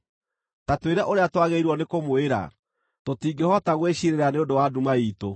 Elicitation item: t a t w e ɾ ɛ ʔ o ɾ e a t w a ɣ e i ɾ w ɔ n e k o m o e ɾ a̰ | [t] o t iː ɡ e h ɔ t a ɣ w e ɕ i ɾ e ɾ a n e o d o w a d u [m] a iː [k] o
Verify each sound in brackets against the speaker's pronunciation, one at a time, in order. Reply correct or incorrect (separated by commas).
correct, correct, incorrect